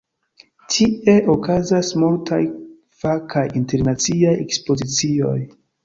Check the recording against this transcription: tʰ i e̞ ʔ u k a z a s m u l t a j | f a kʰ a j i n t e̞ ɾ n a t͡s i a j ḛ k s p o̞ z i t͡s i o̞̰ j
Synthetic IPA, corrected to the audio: tʰ i e̞ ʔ o k a z a s m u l t a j | f a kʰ a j i n t e̞ ɾ n a t͡s i a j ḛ k s p o̞ z i t͡s i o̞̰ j